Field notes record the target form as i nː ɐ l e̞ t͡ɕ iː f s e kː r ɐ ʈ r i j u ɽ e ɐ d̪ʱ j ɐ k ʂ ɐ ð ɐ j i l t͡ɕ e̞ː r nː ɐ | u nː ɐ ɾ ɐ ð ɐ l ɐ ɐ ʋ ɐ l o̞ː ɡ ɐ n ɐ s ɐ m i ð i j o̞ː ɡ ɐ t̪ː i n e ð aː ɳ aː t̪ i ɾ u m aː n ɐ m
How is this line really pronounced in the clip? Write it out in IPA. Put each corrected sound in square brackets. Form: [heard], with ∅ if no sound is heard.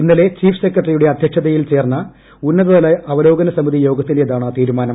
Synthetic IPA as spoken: i nː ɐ l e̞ t͡ɕ iː f s e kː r ɐ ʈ r i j u ɽ e ɐ d̪ʱ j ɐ k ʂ ɐ ð ɐ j i l t͡ɕ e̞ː r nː ɐ | u nː ɐ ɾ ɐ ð ɐ l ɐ ɐ ʋ ɐ l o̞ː ɡ ɐ n ɐ s ɐ m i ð i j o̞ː ɡ ɐ t̪ː i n e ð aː ɳ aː t̪ [iː] ɾ u m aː n ɐ m